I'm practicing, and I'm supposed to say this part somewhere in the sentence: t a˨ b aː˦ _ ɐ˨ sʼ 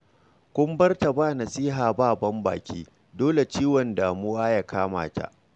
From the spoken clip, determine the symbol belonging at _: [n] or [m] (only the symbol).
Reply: n